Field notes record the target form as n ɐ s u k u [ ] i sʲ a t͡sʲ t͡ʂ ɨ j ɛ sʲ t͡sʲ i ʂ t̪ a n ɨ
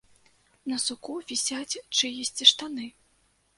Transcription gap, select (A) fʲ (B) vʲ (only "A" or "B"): B